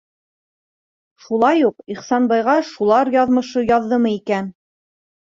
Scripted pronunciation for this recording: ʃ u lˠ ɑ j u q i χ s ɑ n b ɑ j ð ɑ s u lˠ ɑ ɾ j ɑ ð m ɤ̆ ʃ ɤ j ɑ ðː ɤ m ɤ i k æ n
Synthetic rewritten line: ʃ u lˠ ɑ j u q i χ s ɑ n b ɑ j ʁ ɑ ʃ u lˠ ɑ ɾ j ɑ ð m ɤ̆ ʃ ɤ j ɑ ðː ɤ m ɤ i k æ n

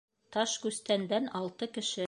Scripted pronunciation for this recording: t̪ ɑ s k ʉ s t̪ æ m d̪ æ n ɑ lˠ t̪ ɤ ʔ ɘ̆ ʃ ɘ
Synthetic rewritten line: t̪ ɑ ʃ k ʉ s t̪ æ n d̪ æ n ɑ lˠ t̪ ɤ k ɘ̆ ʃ ɘ

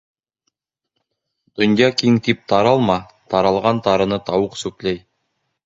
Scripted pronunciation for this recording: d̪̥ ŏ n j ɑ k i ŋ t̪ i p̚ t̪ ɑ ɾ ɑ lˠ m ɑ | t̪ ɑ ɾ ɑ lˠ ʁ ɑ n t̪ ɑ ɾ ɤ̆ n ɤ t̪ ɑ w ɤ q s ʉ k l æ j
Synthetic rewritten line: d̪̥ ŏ n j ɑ k i ŋ t̪ i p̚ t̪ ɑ ɾ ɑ lˠ m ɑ | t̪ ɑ ɾ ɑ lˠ ʁ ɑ n t̪ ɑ ɾ ɤ̆ n ɤ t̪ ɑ w ɤ q s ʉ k l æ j

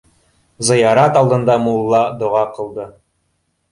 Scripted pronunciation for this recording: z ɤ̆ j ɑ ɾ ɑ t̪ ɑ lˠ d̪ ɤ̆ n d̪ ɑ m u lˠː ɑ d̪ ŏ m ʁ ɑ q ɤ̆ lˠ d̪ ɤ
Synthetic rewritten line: z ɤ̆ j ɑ ɾ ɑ t̪ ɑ lˠ d̪ ɤ̆ n d̪ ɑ m u lˠː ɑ d̪ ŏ ʁ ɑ q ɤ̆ lˠ d̪ ɤ

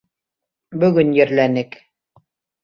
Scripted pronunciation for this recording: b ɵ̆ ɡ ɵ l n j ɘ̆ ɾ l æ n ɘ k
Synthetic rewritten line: b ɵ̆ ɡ ɵ n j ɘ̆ ɾ l æ n ɘ k

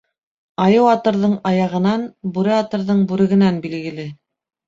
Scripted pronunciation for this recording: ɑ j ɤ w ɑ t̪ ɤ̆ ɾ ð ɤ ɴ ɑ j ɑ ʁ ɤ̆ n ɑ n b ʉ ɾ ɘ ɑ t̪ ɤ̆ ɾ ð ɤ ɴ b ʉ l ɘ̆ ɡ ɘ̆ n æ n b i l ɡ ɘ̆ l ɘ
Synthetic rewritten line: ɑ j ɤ w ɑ t̪ ɤ̆ ɾ ð ɤ ɴ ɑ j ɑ ʁ ɤ̆ n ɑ n b ʉ ɾ ɘ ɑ t̪ ɤ̆ ɾ ð ɤ ɴ b ʉ ɾ ɘ̆ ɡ ɘ̆ n æ n b i l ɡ ɘ̆ l ɘ

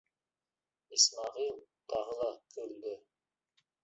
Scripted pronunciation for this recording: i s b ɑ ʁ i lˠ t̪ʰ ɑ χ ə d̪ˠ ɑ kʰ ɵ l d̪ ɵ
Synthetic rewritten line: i s m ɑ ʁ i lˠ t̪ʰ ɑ ʁ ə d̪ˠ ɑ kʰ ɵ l d̪ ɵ

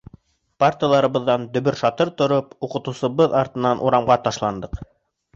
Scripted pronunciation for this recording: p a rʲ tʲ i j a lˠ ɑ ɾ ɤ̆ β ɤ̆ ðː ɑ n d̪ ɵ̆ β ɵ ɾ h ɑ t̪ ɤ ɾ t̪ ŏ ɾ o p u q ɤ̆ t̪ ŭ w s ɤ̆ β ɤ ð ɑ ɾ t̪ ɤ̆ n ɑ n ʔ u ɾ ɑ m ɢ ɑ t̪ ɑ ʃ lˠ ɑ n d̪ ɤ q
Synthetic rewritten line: p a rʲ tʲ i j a lˠ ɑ ɾ ɤ̆ β ɤ̆ ðː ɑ n d̪ ɵ̆ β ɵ ɾ ʃ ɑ t̪ ɤ ɾ t̪ ŏ ɾ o p u q ɤ̆ t̪ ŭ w s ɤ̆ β ɤ ð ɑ ɾ t̪ ɤ̆ n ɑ n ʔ u ɾ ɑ m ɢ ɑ t̪ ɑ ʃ lˠ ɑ n d̪ ɤ q

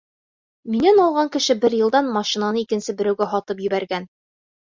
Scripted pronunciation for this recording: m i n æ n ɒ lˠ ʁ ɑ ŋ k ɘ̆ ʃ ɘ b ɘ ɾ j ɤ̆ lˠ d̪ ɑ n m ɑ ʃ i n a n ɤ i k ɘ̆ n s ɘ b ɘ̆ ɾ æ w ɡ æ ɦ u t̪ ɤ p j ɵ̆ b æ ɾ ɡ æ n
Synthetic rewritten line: m i n æ n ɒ lˠ ʁ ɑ ŋ k ɘ̆ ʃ ɘ b ɘ ɾ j ɤ̆ lˠ d̪ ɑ n m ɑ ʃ i n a n ɤ i k ɘ̆ n s ɘ b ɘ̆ ɾ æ w ɡ æ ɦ ɒ t̪ ɤ p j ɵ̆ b æ ɾ ɡ æ n

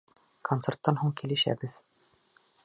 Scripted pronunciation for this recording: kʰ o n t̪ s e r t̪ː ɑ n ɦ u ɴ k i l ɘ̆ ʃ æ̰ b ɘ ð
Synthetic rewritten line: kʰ o n t̪ s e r t̪ː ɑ n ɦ u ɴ k i l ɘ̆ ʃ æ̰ b ɘ ð

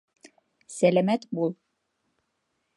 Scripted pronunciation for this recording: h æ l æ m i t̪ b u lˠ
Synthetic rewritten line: s æ l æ m æ t̪ b u lˠ

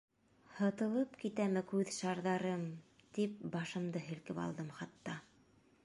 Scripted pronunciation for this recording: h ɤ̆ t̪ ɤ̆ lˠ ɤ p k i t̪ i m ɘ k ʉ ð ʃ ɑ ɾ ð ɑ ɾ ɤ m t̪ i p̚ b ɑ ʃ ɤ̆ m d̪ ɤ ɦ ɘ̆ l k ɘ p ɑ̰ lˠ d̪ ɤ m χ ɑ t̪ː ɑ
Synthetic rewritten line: h ɤ̆ t̪ ɤ̆ lˠ ɤ p k i t̪ æ m ɘ k ʉ ð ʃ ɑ ɾ ð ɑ ɾ ɤ m t̪ i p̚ b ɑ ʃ ɤ̆ m d̪ ɤ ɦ ɘ̆ l k ɘ p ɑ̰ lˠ d̪ ɤ m χ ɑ t̪ː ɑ

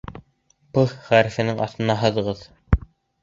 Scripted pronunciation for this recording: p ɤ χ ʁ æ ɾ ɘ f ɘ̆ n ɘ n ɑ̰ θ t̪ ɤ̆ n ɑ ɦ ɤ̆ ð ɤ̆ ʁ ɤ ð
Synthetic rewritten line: p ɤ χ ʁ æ ɾ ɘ f ɘ̆ n ɘ ŋ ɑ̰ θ t̪ ɤ̆ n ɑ ɦ ɤ̆ ð ɤ̆ ʁ ɤ ð

